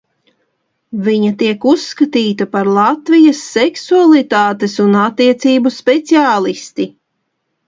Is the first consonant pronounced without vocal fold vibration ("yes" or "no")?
no